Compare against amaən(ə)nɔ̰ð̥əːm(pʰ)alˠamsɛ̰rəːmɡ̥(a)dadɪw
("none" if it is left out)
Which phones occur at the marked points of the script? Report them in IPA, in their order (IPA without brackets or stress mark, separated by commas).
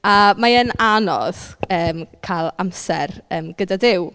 a, kʰ, ə